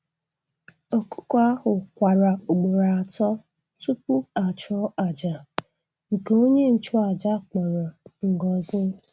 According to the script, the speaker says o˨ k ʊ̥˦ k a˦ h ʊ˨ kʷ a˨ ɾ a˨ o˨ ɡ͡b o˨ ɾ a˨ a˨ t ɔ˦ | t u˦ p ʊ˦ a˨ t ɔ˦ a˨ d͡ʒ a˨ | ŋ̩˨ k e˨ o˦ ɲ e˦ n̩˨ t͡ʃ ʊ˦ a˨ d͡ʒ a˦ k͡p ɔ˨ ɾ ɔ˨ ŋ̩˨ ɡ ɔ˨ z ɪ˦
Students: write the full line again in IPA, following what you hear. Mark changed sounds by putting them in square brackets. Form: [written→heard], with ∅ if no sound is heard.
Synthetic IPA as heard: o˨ k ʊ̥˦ k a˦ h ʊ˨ kʷ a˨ ɾ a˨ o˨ ɡ͡b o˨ ɾ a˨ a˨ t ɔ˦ | t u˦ p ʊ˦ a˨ [t→t͡ʃ] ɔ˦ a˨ d͡ʒ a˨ | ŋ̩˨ k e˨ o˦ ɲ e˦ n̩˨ t͡ʃ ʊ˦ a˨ d͡ʒ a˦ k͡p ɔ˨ ɾ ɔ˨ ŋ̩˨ ɡ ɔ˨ z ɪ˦